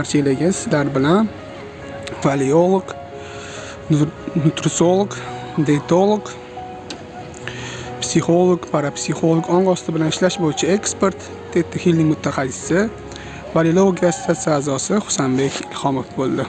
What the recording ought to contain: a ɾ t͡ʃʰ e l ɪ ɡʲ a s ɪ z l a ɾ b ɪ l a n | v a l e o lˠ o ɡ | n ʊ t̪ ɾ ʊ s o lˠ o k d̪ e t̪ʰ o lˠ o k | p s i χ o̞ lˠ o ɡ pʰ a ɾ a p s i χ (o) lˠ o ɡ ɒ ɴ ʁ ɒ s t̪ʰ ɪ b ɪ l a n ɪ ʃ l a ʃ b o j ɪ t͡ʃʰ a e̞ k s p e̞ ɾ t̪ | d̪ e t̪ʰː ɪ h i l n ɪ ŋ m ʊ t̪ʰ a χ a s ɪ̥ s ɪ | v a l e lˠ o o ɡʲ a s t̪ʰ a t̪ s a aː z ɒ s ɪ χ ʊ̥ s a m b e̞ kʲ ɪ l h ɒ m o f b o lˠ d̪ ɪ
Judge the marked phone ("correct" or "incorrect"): correct